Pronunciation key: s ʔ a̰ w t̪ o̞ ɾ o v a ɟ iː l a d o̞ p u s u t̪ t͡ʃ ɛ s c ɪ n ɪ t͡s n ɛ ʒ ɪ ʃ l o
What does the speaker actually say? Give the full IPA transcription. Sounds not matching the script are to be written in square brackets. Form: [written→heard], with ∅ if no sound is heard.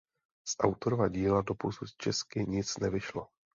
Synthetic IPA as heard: s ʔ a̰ w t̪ o̞ ɾ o v a ɟ iː l a d o̞ p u s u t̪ t͡ʃ ɛ s [c→k] ɪ [n→ɲ] ɪ t͡s n ɛ [ʒ→v] ɪ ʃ l o

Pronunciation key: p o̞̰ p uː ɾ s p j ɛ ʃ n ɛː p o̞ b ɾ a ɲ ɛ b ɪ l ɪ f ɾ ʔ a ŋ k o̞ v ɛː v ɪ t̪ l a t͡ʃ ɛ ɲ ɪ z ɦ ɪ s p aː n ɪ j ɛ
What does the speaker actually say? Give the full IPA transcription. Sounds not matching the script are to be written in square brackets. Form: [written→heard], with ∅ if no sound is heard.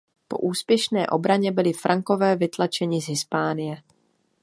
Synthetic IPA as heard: p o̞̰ [p→ʔ] uː [ɾ→∅] s p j ɛ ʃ n ɛː [p→ʔ] o̞ b ɾ a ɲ ɛ b ɪ l ɪ f ɾ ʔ a ŋ k o̞ v ɛː v ɪ t̪ l a t͡ʃ ɛ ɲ ɪ z ɦ ɪ s p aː n ɪ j ɛ

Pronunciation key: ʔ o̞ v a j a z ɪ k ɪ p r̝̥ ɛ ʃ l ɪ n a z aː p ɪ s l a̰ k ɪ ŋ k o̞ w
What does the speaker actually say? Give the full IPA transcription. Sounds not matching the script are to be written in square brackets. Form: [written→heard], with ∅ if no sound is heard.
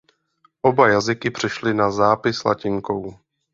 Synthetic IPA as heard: ʔ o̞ [v→b] a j a z ɪ k ɪ p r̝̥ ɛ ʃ l ɪ n a z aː p ɪ s l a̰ [k→c] ɪ ŋ k o̞ w

